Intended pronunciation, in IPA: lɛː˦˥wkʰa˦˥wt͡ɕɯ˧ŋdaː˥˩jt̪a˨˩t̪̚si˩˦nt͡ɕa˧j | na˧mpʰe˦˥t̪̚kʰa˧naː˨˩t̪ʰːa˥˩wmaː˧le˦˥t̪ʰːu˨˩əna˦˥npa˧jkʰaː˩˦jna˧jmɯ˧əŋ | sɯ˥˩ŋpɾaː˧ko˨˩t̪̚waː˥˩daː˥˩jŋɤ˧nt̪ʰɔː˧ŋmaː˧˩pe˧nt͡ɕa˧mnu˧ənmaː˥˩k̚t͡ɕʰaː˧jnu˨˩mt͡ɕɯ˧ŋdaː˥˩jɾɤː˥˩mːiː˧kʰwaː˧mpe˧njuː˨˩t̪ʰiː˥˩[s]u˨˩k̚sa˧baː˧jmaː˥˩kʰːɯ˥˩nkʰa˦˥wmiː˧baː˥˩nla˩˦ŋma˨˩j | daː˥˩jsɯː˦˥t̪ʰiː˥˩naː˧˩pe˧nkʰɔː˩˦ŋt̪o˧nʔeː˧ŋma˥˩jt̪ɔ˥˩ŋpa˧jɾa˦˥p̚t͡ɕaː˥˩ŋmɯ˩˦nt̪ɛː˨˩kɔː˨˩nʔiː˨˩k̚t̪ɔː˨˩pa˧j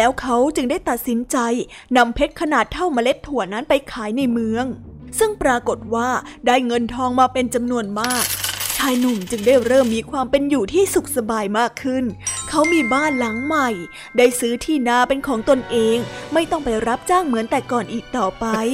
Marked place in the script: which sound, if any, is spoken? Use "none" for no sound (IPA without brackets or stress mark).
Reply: s